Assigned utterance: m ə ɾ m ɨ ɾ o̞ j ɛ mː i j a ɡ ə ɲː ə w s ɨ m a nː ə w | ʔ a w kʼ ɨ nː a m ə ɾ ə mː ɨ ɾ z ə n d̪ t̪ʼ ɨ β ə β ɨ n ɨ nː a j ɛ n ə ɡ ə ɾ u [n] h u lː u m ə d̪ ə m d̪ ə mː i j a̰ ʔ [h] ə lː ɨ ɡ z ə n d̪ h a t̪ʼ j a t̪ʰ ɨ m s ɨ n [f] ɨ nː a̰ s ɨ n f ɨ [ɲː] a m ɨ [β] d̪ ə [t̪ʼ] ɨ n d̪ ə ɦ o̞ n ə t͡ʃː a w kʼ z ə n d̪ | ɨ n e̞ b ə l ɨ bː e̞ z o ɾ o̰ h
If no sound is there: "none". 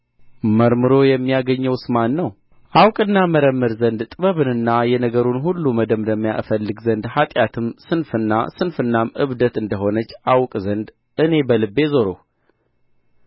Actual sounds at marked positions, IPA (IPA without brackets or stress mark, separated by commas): n, f, f, nː, β, t̪